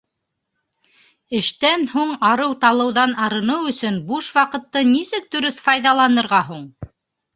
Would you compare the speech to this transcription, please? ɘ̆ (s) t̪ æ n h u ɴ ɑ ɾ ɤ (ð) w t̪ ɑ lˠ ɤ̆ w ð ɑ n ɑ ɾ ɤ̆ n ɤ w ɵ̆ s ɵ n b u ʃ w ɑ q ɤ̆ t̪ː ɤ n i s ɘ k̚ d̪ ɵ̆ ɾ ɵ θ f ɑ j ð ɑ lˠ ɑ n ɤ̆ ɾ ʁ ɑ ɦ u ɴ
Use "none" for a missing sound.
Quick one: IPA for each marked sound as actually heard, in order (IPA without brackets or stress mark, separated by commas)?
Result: ʃ, none